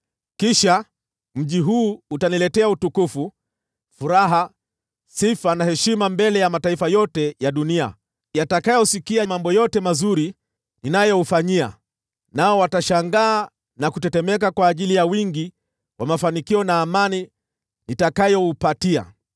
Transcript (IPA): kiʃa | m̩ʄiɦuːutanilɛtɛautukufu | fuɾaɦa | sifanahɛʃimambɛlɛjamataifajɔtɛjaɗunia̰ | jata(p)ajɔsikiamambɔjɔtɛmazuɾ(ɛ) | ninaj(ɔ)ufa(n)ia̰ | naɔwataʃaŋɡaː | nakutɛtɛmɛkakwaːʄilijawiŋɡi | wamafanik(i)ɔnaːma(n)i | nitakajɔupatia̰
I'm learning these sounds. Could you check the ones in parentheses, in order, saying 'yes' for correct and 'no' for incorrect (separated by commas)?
no, no, yes, no, yes, yes